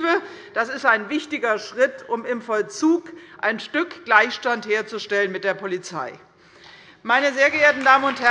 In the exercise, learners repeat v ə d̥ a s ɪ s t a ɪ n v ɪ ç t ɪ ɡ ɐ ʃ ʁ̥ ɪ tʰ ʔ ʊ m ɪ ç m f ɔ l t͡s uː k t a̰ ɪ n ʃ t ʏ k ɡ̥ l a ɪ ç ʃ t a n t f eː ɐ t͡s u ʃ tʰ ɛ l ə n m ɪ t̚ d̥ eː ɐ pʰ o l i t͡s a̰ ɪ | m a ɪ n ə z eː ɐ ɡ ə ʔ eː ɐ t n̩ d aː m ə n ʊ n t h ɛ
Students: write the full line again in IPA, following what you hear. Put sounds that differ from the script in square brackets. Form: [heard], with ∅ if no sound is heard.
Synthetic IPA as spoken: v ə d̥ a s ɪ s t a ɪ n v ɪ ç t ɪ ɡ ɐ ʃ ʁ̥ ɪ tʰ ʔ ʊ m ɪ [∅] m f ɔ l t͡s uː k [ʔ] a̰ ɪ n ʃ t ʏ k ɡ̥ l a ɪ ç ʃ t a n t [h] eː ɐ t͡s u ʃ [t] ɛ l ə n m ɪ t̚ d̥ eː ɐ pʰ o l i t͡s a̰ ɪ | m a ɪ n ə z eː ɐ ɡ ə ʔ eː ɐ t n̩ d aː m ə n ʊ n t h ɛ

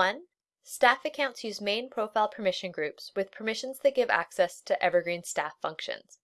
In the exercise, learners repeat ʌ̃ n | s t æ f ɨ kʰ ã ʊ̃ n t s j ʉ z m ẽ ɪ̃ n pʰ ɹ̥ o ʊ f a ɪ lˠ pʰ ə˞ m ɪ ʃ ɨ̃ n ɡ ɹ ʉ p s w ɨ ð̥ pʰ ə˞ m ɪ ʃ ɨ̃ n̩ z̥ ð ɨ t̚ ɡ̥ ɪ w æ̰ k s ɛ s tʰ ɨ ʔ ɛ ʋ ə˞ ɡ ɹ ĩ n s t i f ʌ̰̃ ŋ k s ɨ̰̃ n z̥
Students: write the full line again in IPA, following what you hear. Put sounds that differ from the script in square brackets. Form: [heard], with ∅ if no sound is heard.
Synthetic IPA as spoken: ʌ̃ n | s t æ f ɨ kʰ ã ʊ̃ n t s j ʉ z m ẽ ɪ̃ n pʰ ɹ̥ o ʊ f a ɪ lˠ pʰ ə˞ m ɪ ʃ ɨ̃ n ɡ ɹ ʉ p s w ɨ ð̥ pʰ ə˞ m ɪ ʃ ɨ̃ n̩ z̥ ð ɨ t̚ ɡ̥ ɪ [v] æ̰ k s ɛ s tʰ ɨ ʔ ɛ [v] ə˞ ɡ ɹ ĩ n s t [æ] f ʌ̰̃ ŋ k [ʃ] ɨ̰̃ n z̥

